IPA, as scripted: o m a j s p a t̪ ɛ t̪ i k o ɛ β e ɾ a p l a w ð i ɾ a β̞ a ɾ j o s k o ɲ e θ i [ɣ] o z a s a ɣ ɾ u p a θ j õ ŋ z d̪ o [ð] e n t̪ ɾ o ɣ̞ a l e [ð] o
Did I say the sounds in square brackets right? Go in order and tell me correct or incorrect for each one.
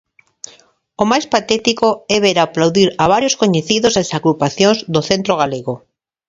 incorrect: ð, incorrect: θ, incorrect: ɣ

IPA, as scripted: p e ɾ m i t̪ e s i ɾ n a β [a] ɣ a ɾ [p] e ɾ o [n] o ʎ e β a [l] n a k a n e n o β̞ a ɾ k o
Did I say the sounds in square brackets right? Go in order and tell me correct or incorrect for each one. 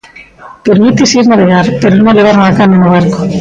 incorrect: e, correct, correct, incorrect: ɾ

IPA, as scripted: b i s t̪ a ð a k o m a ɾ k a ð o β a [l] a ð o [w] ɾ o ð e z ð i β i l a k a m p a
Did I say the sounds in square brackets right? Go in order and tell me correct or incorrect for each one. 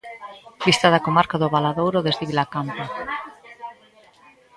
correct, correct

